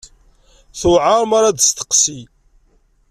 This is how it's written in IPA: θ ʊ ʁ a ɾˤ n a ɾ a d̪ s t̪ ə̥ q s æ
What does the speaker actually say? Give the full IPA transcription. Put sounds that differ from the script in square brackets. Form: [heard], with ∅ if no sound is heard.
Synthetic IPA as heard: θ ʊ [ʕ] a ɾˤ [m] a ɾ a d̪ s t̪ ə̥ q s [i]